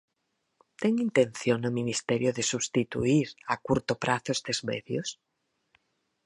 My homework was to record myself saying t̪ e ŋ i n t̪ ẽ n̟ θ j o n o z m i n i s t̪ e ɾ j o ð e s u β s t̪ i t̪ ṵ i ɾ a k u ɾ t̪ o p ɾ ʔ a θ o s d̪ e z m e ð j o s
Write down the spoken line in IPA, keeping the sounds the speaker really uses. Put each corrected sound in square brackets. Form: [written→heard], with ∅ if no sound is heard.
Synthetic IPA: t̪ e ŋ i n t̪ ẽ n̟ θ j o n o [z→∅] m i n i s t̪ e ɾ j o ð e s u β s t̪ i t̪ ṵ i ɾ a k u ɾ t̪ o p ɾ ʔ a θ o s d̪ e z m e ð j o s